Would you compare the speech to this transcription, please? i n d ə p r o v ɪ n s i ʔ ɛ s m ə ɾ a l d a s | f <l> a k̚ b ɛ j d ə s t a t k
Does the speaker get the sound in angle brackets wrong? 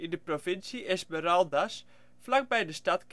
no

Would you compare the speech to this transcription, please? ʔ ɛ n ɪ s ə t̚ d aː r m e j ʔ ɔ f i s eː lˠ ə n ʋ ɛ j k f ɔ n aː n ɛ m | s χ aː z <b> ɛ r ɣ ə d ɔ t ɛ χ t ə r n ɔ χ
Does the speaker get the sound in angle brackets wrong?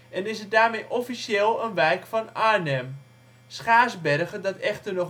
no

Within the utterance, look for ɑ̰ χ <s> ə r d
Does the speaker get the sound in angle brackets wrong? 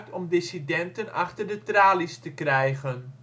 yes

